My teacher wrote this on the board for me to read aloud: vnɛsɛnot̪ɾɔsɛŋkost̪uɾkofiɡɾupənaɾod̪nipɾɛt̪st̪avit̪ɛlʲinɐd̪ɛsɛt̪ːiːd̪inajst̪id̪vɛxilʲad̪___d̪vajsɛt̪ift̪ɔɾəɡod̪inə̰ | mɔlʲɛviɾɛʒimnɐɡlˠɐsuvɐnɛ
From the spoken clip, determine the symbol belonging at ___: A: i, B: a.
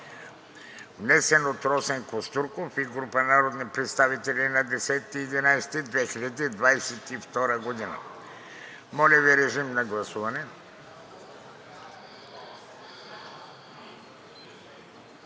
A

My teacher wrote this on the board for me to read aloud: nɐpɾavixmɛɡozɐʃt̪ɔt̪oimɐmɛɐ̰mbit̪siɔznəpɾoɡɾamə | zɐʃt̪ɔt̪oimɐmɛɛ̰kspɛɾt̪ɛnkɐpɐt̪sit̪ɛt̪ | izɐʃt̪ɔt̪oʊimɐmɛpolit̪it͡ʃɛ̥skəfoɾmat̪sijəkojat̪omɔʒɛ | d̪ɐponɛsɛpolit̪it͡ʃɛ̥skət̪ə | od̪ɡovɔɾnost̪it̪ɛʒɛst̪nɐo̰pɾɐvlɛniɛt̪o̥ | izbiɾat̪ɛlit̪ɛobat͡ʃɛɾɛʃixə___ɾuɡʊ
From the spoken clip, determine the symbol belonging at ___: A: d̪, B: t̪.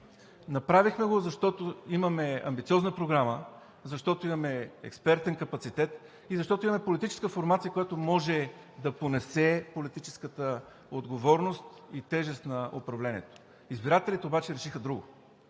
A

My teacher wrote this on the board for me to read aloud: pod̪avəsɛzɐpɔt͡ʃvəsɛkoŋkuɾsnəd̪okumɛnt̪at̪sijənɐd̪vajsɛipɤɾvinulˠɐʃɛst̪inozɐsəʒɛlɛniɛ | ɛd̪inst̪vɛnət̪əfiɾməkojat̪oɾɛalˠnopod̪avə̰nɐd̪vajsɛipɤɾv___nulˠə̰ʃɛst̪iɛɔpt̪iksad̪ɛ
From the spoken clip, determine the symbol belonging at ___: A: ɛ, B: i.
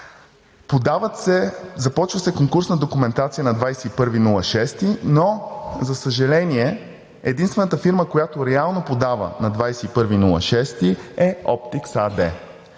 B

